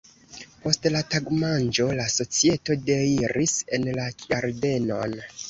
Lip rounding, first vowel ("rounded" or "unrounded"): rounded